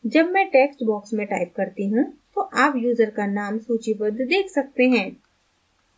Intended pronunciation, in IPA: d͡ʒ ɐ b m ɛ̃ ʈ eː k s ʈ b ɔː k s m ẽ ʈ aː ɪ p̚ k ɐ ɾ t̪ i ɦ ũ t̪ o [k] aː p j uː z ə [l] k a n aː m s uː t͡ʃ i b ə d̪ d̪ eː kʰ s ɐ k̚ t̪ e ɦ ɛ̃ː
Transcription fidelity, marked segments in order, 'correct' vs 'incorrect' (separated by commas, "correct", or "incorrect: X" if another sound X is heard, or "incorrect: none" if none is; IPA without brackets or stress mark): incorrect: ʔ, incorrect: ɾ